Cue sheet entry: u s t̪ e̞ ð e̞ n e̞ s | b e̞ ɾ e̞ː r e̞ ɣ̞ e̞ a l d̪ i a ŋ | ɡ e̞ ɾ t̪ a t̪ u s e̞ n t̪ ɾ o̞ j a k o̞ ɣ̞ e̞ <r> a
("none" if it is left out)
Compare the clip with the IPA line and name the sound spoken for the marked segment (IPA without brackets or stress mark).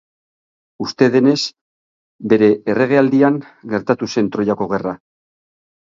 r